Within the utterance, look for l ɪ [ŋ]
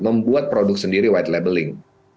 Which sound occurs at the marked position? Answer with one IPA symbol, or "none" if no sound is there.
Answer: ŋ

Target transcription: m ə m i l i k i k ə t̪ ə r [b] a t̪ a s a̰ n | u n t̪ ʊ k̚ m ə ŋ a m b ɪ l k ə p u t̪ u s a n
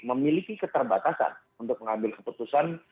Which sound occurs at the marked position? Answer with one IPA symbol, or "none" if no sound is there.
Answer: b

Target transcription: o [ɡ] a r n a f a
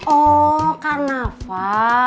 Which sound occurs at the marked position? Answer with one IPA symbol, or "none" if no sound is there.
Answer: k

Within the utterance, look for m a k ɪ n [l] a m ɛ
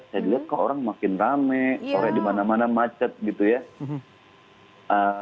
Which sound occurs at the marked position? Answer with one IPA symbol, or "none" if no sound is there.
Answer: r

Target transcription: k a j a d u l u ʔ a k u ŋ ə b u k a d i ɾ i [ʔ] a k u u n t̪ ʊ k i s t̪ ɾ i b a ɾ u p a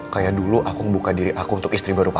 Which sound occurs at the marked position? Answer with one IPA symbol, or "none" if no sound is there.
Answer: ʔ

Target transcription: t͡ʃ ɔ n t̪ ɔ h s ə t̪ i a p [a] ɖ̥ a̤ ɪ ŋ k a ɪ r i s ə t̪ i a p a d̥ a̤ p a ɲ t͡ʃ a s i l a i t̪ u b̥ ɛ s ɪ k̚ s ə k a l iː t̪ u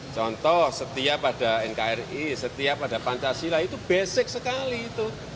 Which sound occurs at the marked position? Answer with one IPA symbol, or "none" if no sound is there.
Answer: a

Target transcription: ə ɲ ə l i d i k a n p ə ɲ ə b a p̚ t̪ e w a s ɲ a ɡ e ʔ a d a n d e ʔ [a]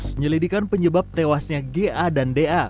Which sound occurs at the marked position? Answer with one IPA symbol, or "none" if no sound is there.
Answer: a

